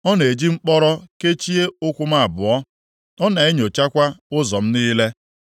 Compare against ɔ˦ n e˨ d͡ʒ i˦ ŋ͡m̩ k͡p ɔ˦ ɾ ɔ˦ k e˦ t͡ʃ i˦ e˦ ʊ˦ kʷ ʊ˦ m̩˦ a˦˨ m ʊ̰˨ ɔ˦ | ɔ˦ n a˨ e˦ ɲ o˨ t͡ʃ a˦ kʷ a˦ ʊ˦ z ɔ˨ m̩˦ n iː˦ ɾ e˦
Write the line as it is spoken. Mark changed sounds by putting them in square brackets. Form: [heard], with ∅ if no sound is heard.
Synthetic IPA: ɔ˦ n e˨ d͡ʒ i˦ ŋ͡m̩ k͡p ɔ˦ ɾ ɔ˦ k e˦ t͡ʃ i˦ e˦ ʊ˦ kʷ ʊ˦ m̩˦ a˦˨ [b] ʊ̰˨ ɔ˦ | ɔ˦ n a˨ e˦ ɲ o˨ t͡ʃ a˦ kʷ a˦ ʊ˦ z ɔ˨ m̩˦ n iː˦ [l] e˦

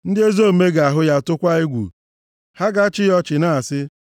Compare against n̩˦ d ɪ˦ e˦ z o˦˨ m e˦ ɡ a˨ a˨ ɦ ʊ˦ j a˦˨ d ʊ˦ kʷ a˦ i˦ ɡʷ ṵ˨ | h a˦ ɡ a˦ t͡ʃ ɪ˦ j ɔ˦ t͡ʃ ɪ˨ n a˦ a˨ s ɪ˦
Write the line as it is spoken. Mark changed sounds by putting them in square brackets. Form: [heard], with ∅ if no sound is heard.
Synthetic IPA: n̩˦ d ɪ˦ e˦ z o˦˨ m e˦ ɡ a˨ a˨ ɦ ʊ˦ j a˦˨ [t] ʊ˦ kʷ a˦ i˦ ɡʷ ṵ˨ | h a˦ ɡ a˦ t͡ʃ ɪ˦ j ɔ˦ t͡ʃ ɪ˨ n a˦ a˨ s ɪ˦

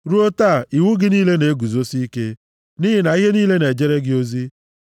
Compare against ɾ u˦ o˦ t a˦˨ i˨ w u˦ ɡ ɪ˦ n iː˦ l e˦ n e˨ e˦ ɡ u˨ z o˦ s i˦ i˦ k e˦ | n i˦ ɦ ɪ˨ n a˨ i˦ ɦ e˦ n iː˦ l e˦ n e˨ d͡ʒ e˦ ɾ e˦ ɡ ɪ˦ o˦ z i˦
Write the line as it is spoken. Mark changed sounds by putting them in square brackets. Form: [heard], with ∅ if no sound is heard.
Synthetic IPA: ɾ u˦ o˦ t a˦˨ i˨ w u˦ ɡ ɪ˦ n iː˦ l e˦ n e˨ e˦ ɡ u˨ z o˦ s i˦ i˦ k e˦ | n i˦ ɦ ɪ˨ n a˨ i˦ ɦ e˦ n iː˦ l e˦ n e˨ d͡ʒ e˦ ɾ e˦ ɡ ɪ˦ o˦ z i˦

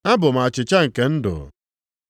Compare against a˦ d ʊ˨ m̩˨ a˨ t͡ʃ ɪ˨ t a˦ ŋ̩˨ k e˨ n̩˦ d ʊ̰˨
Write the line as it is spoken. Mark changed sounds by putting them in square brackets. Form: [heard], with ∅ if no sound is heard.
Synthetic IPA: a˦ [b] ʊ˨ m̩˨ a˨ t͡ʃ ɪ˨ [t͡ʃ] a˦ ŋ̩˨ k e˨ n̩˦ d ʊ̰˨

